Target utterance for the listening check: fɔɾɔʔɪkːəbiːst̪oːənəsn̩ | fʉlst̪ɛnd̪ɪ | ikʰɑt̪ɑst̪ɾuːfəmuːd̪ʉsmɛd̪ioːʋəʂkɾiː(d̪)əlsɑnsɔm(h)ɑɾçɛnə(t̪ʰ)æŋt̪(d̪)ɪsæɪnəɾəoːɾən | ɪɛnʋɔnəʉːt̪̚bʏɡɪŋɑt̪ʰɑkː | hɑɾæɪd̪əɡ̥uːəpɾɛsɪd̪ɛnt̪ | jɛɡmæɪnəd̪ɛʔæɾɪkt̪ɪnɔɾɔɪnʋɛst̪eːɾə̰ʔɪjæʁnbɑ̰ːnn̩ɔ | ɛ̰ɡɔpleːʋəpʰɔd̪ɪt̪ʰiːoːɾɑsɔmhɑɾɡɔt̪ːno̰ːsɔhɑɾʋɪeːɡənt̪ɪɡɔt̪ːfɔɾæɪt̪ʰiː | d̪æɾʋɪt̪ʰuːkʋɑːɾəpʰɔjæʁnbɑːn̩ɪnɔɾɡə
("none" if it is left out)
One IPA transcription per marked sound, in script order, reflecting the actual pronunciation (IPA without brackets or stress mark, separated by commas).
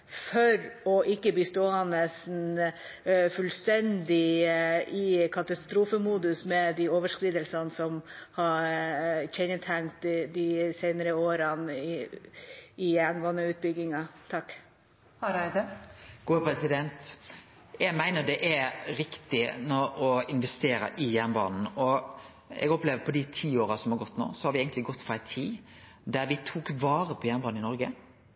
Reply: d̪, h, t̪ʰ, d̪